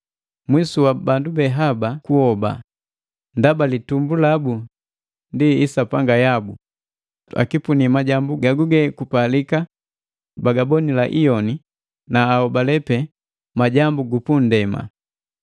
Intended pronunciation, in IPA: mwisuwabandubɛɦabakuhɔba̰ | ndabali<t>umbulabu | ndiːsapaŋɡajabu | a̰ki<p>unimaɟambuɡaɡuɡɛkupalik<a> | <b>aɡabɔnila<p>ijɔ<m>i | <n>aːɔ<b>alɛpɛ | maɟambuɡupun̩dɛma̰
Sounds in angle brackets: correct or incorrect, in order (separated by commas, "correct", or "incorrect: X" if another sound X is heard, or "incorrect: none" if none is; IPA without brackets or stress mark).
correct, correct, correct, correct, incorrect: ʔ, incorrect: n, correct, correct